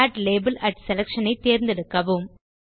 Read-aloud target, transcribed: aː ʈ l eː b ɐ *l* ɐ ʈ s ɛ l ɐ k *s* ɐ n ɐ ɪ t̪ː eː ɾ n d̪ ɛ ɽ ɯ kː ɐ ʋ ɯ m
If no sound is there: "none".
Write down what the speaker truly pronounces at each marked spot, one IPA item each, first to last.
l, ʂ

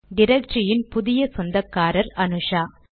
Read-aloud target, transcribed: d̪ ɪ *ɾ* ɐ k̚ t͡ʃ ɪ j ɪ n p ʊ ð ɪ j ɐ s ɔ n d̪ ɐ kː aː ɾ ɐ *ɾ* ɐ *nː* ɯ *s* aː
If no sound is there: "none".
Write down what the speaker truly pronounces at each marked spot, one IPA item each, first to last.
ɾ, ɾ, n, ʂ

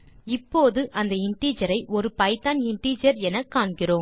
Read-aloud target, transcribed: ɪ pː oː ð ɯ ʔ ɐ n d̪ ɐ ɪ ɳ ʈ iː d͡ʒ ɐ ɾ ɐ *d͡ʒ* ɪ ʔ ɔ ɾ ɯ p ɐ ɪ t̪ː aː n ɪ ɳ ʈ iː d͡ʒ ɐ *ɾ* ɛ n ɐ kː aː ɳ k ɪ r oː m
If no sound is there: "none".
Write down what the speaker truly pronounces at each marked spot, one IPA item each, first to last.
none, ɾ

